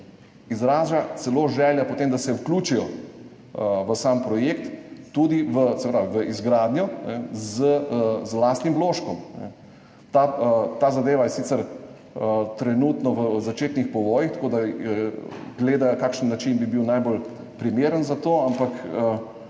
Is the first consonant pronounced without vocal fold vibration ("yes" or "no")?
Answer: no